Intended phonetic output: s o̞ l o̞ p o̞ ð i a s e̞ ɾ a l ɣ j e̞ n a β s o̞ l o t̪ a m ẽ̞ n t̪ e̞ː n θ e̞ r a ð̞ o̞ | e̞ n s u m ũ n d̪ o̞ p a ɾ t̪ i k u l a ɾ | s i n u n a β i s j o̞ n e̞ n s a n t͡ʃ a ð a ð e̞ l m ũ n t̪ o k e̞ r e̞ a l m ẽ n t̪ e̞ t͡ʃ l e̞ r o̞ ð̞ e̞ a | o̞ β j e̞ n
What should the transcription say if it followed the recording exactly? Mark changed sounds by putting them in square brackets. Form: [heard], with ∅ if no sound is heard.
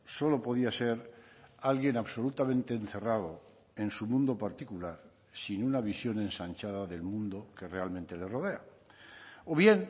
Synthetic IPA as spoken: s o̞ l o̞ p o̞ ð i a s e̞ ɾ a l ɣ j e̞ n a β s o̞ l [u] t̪ a m ẽ̞ n t̪ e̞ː n θ e̞ r a ð̞ o̞ | e̞ n s u m ũ n d̪ o̞ p a ɾ t̪ i k u l a ɾ | s i n u n a β i s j o̞ n e̞ n s a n t͡ʃ a ð a ð e̞ l m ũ n [d̪] o k e̞ r e̞ a l m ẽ n t̪ e̞ [∅] l e̞ r o̞ ð̞ e̞ a | o̞ β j e̞ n